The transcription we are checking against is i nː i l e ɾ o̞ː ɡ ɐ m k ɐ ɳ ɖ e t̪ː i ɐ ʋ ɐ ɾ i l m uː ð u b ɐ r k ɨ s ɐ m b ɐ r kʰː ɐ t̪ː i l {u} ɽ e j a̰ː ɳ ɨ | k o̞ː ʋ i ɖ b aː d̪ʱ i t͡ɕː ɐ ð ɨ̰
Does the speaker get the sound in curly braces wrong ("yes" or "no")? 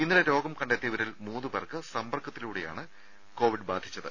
yes